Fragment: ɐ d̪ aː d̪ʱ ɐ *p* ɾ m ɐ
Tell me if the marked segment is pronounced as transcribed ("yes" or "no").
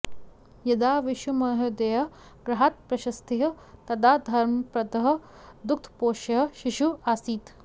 no